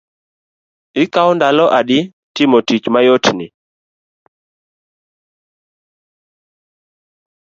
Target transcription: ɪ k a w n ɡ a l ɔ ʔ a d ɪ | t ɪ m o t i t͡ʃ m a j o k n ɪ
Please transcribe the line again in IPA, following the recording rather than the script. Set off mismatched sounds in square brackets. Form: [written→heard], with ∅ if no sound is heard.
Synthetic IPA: ɪ k a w n [ɡ→d] a l ɔ ʔ a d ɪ | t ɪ m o t i t͡ʃ m a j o [k→t] n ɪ